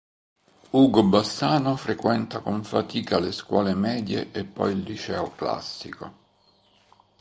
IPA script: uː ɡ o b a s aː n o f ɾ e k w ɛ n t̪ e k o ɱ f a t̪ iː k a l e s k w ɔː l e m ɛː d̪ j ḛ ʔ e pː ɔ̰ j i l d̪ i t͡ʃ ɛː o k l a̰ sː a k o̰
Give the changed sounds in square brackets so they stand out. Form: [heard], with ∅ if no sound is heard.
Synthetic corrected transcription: uː ɡ o b a s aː n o f ɾ e k w ɛ n t̪ [a] k o ɱ f a t̪ iː k a l e s k w ɔː l e m ɛː d̪ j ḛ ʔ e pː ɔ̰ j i l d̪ i t͡ʃ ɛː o k l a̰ sː [i] k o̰